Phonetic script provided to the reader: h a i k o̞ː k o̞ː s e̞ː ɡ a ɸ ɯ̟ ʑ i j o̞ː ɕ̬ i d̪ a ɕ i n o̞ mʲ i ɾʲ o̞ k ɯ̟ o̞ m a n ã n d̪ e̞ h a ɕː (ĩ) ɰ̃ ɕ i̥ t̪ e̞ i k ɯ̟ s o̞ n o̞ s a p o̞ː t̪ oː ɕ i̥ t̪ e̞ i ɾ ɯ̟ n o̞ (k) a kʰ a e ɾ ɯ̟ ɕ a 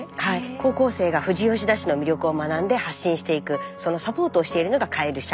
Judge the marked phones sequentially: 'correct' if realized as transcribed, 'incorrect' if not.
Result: correct, incorrect: ɡ

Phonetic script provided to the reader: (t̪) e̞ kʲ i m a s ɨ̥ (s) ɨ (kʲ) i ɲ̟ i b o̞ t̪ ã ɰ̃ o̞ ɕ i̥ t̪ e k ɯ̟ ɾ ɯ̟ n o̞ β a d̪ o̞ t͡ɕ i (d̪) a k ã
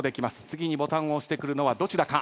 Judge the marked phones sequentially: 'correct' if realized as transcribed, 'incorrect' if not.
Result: incorrect: d̪, incorrect: t͡s, incorrect: ɡʲ, correct

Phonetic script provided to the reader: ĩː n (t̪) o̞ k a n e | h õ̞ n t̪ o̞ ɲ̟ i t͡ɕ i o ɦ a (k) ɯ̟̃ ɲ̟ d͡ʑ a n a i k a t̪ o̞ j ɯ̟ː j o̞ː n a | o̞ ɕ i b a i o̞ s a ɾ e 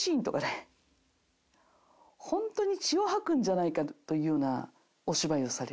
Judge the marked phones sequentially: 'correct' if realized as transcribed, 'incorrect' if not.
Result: correct, correct

